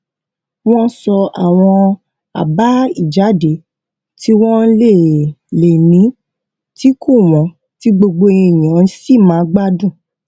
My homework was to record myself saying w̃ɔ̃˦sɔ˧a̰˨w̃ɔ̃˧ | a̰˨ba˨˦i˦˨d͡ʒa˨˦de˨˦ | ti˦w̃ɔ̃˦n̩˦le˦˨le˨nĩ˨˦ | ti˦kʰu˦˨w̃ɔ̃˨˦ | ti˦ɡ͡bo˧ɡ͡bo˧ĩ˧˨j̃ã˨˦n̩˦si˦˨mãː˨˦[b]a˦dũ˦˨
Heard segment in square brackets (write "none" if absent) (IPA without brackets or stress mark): ɡ͡b